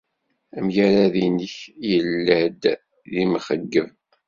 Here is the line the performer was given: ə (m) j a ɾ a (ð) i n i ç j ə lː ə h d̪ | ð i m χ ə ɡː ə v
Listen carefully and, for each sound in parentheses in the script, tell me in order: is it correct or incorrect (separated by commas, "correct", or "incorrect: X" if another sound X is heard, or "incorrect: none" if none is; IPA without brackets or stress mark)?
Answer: correct, correct